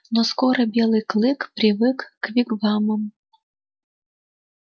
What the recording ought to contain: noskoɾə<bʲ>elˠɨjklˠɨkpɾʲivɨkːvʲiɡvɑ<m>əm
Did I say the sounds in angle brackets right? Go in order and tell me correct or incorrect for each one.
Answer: correct, correct

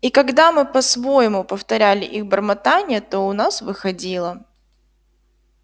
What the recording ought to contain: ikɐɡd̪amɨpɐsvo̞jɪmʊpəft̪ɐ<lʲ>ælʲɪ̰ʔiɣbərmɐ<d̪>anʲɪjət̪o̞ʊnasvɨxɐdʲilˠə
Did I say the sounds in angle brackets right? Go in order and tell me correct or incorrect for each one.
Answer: incorrect: ɾʲ, incorrect: t̪

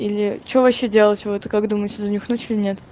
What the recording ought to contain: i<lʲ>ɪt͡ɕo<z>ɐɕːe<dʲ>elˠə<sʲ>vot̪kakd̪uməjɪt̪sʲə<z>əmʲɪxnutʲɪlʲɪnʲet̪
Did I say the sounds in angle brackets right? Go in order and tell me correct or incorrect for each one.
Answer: correct, incorrect: v, correct, incorrect: tʲ, correct

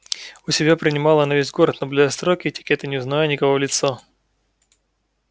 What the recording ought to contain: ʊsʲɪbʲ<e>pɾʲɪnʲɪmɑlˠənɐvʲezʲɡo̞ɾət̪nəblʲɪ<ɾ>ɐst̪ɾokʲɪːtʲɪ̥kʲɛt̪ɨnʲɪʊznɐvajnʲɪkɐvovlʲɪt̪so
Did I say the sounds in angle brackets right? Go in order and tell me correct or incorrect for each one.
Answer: incorrect: a, incorrect: none

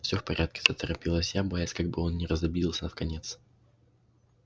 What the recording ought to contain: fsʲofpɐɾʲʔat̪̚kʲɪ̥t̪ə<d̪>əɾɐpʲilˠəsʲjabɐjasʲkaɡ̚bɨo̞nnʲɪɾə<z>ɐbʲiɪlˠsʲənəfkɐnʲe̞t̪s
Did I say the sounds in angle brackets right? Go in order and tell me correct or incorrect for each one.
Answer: incorrect: t̪, correct

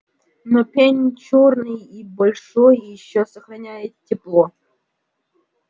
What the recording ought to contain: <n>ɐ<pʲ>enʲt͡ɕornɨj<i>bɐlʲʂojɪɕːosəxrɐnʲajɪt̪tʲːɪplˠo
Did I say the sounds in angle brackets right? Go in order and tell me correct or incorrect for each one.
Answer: correct, correct, correct

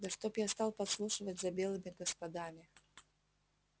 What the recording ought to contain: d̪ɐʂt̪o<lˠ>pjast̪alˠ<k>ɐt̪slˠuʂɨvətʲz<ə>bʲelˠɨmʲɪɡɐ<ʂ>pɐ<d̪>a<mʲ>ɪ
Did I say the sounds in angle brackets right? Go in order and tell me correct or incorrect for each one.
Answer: incorrect: none, incorrect: p, incorrect: ɐ, incorrect: s, correct, correct

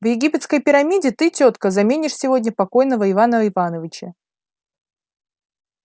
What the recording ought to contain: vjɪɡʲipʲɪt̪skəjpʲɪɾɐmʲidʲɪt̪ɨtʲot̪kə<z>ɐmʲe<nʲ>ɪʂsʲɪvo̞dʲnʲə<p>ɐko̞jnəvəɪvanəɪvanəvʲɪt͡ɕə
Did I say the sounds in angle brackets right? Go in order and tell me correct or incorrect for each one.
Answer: correct, correct, correct

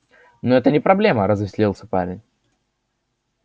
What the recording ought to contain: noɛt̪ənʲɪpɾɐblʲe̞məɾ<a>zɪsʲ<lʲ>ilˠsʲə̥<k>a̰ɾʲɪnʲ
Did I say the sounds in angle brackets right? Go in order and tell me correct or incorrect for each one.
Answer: incorrect: ə, correct, incorrect: p

